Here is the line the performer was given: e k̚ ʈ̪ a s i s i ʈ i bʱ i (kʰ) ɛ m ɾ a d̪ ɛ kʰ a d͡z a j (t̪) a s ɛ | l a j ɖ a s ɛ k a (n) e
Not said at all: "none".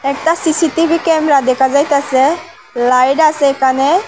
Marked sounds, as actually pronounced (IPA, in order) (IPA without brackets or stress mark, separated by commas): k, t̪, n